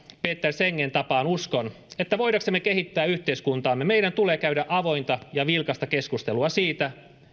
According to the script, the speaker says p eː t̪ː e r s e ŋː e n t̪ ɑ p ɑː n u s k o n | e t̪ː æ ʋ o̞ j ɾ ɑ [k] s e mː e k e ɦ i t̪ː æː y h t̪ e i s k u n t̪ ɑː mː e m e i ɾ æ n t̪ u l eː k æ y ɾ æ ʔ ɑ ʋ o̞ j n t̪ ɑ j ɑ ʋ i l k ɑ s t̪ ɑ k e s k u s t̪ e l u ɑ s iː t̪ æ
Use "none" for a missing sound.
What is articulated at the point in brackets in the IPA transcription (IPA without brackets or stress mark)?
k